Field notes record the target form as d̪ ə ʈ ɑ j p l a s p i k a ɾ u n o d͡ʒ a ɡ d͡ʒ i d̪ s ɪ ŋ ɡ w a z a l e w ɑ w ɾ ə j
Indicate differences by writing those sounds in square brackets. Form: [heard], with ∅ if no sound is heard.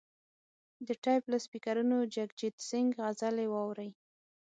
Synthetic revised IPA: d̪ ə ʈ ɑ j p l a s p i k a ɾ u n o d͡ʒ a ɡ d͡ʒ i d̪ s ɪ ŋ ɡ [ɣ] a z a l e w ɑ w ɾ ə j